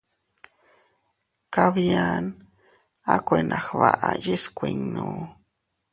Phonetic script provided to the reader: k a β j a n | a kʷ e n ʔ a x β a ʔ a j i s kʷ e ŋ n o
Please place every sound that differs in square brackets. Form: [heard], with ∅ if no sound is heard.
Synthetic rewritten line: k a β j a n | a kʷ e n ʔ a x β a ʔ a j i s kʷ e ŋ n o